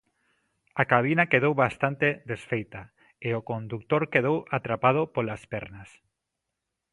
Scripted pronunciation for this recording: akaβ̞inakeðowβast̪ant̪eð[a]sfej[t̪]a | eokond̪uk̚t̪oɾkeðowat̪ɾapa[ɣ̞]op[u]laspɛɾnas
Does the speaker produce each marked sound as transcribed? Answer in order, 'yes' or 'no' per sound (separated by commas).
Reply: no, yes, no, no